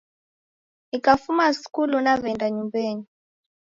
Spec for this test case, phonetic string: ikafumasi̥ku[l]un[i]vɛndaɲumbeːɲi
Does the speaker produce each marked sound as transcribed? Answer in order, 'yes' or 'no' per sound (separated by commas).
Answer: yes, no